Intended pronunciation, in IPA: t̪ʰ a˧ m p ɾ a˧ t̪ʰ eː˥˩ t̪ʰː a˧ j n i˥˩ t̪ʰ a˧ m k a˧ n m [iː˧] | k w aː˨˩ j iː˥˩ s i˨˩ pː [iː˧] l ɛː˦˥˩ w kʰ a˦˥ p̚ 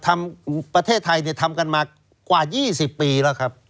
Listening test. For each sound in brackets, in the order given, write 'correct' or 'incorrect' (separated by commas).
incorrect, correct